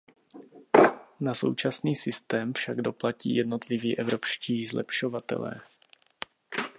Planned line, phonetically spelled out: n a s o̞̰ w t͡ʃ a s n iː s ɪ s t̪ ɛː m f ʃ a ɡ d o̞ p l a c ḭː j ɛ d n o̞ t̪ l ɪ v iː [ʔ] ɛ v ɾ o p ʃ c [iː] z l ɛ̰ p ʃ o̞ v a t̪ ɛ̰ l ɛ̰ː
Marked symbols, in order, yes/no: yes, yes

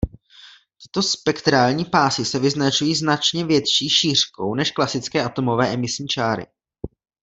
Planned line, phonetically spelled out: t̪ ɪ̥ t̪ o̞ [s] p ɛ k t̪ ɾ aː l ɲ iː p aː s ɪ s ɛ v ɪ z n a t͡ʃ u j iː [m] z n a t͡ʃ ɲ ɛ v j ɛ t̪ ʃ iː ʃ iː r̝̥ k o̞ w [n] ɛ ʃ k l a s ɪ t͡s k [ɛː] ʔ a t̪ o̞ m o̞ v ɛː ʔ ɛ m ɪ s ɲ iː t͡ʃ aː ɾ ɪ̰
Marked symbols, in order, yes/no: yes, no, yes, yes

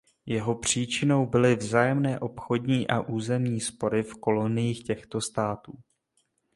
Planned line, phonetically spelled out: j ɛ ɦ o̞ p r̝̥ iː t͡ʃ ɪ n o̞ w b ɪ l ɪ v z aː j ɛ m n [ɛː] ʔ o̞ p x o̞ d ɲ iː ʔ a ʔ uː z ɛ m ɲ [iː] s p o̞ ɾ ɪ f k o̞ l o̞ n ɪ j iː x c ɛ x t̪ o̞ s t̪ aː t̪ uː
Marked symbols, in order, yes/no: yes, yes

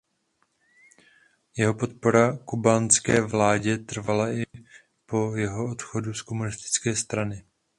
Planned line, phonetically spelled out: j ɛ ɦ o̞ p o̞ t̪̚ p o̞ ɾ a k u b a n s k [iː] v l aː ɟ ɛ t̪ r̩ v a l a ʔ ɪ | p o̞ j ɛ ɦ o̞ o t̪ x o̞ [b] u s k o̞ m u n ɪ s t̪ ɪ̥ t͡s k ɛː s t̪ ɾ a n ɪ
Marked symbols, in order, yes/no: no, no

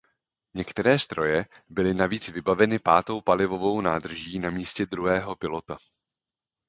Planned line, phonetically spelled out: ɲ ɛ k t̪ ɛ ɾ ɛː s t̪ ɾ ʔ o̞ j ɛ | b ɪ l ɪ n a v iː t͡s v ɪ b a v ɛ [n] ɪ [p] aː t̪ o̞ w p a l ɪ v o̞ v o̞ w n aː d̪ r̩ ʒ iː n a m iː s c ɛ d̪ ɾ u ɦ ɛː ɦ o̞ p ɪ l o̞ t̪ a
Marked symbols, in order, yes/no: yes, yes

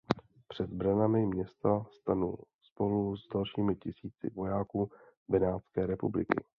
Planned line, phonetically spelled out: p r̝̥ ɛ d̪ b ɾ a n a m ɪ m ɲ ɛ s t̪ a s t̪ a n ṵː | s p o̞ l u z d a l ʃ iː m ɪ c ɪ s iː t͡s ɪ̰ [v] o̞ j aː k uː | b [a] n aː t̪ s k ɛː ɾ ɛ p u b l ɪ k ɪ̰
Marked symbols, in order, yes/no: yes, no

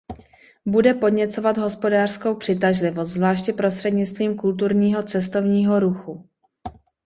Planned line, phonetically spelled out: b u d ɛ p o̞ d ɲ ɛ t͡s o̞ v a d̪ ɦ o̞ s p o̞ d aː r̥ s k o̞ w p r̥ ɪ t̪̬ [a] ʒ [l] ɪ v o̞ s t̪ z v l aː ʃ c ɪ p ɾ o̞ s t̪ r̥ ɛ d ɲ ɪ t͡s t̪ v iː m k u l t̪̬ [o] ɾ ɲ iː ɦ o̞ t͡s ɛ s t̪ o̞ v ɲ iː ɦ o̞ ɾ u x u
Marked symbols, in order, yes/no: yes, yes, no

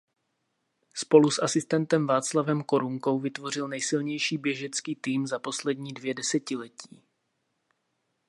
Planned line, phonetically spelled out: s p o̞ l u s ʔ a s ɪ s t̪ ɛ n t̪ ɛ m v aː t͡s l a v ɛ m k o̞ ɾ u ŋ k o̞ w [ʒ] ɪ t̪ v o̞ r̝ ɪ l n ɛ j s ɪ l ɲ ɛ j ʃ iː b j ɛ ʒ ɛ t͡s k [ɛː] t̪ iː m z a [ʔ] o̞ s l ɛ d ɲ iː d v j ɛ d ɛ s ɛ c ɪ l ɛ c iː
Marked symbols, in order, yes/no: no, no, no

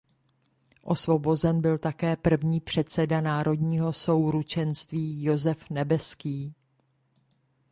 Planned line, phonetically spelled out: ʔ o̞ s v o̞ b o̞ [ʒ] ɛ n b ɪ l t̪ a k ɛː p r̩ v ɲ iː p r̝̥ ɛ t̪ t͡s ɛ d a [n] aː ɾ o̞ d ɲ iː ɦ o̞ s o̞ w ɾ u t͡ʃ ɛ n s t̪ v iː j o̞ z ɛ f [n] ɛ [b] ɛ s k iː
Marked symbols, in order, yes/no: no, yes, yes, yes

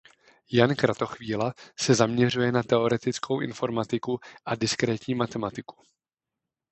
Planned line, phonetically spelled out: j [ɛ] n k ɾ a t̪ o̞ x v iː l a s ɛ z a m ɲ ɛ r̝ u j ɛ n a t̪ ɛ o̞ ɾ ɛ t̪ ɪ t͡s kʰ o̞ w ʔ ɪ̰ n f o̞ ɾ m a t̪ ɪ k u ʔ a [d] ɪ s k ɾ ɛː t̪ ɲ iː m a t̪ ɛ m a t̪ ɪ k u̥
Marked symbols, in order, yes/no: no, yes

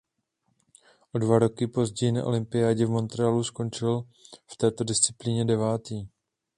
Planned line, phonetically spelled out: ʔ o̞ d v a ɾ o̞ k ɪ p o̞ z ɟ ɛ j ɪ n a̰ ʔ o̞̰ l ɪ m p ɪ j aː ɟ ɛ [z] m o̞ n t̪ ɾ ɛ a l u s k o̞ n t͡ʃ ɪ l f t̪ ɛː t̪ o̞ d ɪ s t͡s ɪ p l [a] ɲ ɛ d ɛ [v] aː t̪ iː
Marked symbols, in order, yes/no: no, no, yes

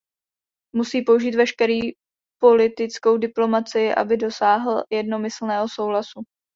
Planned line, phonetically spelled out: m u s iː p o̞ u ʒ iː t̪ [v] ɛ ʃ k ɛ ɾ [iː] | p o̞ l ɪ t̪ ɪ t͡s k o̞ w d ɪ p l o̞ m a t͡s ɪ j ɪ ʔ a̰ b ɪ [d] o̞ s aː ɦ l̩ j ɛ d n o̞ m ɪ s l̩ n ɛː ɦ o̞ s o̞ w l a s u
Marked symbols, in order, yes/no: yes, yes, yes

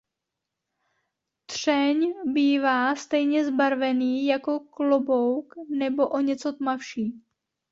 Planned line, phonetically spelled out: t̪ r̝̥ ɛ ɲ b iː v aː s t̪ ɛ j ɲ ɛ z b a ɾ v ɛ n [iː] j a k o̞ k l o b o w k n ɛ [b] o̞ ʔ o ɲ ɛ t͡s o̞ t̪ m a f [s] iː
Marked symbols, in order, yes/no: yes, yes, no

